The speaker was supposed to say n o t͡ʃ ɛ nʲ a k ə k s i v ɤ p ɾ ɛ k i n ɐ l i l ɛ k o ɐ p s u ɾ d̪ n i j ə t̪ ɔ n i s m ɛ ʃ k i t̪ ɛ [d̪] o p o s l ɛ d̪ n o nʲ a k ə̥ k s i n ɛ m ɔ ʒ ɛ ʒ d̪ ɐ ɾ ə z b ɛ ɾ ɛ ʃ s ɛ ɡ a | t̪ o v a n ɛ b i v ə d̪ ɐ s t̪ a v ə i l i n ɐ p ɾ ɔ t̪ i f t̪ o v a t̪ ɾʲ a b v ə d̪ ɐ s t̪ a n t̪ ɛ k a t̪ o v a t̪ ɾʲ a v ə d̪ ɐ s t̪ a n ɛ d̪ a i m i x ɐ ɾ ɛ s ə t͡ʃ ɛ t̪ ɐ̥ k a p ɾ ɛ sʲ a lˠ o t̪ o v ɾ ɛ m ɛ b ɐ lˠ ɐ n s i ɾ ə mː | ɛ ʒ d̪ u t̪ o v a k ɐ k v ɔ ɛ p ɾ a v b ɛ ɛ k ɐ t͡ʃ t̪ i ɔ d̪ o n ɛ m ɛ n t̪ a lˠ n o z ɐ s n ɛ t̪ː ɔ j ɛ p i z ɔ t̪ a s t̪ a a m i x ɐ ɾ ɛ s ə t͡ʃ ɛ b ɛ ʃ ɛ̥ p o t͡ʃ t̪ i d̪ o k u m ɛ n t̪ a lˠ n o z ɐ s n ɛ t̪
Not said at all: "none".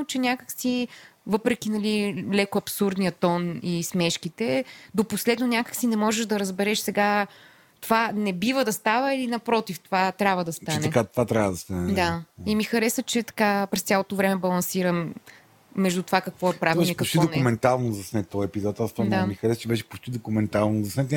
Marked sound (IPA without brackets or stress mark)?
d̪